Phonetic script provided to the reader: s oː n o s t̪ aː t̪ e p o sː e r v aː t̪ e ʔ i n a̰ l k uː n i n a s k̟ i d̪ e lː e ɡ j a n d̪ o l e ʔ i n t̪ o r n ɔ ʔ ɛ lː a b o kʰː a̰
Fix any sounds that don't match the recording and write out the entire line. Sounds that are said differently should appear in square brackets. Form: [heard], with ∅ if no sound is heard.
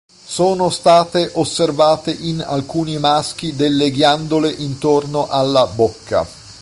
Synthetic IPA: s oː n o s t̪ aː t̪ e [ʔ] o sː e r v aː t̪ e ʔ i n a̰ l k uː n i [m] a s k̟ i d̪ e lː e ɡ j a n d̪ o l e ʔ i n t̪ o r n [o] ʔ [a] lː a b o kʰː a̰